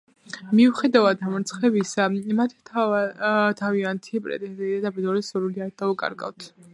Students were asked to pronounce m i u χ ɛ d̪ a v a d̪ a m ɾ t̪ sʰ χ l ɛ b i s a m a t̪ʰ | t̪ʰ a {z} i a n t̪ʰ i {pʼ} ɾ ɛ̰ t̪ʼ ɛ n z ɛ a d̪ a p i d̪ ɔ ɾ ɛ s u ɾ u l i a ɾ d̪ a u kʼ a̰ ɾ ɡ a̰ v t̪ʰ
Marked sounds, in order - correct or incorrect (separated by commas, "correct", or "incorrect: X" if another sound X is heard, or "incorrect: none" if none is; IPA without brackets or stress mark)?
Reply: incorrect: v, correct